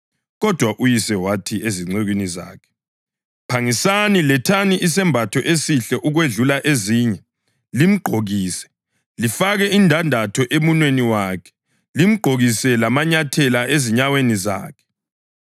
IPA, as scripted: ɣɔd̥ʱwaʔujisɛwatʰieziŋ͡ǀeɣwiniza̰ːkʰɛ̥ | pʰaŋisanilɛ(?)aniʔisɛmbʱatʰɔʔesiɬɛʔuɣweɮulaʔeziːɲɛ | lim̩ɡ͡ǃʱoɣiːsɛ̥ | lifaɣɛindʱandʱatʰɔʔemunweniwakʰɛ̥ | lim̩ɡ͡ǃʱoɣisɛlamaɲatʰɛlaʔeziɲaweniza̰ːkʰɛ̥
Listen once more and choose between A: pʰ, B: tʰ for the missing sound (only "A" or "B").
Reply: B